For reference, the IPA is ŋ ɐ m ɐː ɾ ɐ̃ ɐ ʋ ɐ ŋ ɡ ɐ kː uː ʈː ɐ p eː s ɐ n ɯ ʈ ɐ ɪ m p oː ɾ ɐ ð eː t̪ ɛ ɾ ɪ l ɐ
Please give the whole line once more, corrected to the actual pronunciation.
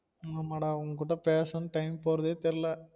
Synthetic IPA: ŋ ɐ m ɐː ɽ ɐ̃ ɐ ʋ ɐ ŋ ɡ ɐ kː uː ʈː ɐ p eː s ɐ n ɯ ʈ ɐ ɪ m p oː ɾ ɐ ð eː t̪ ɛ ɾ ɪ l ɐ